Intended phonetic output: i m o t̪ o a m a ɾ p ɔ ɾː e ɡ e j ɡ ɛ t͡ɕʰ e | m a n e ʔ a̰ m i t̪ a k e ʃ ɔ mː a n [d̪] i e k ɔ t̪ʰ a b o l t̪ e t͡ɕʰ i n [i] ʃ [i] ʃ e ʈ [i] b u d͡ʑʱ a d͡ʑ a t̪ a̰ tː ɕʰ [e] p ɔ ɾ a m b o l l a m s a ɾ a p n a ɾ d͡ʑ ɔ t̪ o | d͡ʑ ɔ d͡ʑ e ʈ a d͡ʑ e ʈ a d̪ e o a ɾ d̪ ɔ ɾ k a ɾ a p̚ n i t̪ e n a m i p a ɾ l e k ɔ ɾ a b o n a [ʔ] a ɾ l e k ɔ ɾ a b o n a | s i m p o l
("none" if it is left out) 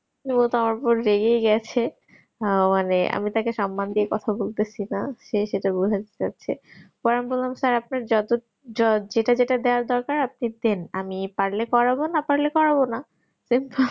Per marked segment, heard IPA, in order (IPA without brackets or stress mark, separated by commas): d̪, a, e, a, e, p